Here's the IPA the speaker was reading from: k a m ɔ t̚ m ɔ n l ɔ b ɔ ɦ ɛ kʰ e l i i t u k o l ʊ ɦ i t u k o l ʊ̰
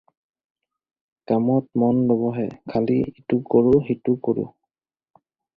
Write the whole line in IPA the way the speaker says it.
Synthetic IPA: k a m ɔ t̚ m ɔ n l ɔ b ɔ ɦ ɛ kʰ a l i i t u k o ɹ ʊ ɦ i t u k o ɹ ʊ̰